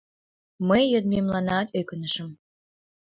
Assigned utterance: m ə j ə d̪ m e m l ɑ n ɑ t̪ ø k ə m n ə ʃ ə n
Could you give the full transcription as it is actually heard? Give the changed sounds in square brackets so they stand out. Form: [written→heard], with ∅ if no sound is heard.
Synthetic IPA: m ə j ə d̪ m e m l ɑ n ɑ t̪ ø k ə [m→∅] n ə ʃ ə [n→m]